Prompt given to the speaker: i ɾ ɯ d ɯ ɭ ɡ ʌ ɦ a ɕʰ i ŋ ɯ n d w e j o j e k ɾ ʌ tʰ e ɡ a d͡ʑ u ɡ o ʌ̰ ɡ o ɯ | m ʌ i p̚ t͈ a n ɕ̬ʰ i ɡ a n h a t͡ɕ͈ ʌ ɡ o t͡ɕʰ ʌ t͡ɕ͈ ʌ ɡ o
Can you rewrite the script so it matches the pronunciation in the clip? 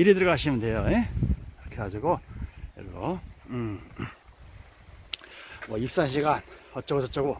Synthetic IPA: i ɾ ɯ d ɯ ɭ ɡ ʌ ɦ a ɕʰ i m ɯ n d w e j o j e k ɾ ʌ kʰ e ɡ a d͡ʑ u ɡ o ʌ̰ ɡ o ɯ | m ʌ i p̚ s͈ a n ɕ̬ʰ i ɡ a n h ʌ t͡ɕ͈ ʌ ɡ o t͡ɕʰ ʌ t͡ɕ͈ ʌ ɡ o